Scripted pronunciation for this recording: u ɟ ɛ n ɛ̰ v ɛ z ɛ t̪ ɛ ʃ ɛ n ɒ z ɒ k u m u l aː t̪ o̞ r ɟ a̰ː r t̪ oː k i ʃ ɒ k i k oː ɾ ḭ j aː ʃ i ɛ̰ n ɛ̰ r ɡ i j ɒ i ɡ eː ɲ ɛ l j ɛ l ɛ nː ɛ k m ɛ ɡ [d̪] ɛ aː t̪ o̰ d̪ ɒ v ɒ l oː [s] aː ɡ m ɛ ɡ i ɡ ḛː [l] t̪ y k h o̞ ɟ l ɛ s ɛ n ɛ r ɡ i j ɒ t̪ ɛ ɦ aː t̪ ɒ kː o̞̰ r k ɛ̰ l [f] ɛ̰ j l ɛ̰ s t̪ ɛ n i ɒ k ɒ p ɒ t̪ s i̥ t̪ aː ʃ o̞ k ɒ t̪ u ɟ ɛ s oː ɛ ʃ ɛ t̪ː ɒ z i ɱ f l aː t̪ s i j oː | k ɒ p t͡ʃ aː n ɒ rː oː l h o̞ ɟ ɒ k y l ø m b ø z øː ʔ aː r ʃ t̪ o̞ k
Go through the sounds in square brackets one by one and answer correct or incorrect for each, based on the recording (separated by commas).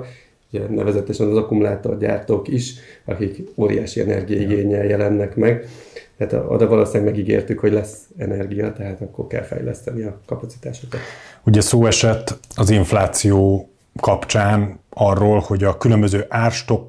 incorrect, correct, incorrect, correct